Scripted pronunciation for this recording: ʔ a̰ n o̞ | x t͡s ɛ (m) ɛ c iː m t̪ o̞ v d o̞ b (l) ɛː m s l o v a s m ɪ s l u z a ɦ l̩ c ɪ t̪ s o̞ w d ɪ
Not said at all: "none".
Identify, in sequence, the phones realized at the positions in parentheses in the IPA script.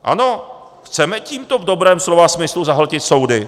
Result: m, ɾ

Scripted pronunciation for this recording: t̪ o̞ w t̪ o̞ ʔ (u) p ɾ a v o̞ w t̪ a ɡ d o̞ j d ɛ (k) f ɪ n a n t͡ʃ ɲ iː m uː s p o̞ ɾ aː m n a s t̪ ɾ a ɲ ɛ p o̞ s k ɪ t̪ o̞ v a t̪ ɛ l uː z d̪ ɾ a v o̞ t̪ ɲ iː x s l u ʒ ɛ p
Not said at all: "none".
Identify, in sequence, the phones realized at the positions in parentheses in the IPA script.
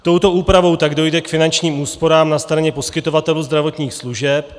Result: uː, k

